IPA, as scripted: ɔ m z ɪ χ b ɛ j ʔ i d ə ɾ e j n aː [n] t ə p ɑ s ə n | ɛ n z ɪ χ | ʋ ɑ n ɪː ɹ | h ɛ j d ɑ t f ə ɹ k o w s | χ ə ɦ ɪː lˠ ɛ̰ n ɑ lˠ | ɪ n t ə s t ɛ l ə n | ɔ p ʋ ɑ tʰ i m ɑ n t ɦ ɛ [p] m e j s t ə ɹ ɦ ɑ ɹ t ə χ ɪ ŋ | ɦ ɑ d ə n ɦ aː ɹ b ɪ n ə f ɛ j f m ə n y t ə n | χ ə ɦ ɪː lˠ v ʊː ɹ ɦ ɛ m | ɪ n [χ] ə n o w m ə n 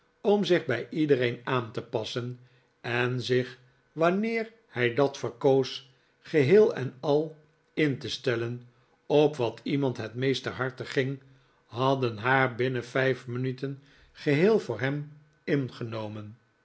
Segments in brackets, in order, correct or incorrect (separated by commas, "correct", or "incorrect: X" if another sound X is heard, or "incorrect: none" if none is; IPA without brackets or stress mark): correct, incorrect: t, correct